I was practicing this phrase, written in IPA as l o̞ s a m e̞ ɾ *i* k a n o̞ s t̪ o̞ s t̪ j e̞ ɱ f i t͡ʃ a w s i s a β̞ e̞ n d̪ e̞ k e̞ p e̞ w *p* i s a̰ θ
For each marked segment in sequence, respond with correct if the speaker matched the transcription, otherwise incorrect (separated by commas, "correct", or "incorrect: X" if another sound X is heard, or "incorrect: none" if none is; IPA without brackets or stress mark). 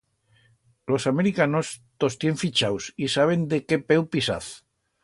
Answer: correct, correct